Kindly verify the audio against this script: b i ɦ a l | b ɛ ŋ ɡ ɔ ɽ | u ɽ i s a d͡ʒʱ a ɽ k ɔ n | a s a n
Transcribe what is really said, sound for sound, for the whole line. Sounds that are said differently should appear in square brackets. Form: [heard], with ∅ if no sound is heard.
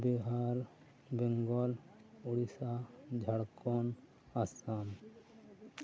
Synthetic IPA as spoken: b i ɦ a [ɾ] | b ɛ ŋ ɡ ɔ [l] | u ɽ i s a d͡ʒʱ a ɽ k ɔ n | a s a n